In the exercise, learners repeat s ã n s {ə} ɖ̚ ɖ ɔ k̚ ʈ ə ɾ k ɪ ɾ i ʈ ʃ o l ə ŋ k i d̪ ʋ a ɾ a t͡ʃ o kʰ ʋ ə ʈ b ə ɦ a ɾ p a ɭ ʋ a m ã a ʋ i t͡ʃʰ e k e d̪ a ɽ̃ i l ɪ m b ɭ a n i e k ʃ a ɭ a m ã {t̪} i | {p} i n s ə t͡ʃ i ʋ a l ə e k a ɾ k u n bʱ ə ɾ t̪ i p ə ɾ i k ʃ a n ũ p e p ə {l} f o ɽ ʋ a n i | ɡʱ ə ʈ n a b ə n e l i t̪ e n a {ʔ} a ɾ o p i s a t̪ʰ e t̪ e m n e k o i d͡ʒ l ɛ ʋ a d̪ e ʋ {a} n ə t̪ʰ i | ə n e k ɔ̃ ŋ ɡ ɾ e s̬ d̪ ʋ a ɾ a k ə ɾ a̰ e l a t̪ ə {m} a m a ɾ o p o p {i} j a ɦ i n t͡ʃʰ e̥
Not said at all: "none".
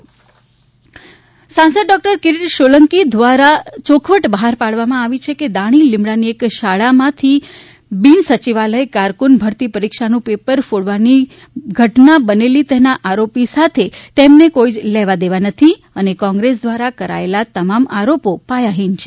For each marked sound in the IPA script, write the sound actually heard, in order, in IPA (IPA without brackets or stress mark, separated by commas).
ə, t̪ʰ, b, ɾ, ʔ, a, m, a